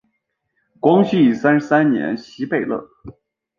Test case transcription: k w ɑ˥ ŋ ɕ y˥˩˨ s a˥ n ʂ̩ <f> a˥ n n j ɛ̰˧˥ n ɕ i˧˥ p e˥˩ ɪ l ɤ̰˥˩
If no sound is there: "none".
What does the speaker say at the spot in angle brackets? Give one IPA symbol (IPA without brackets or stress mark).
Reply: s